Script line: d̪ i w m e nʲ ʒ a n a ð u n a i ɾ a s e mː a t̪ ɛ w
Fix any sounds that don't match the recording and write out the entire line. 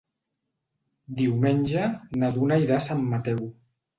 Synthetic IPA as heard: d̪ i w m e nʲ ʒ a n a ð u n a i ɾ a s a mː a t̪ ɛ w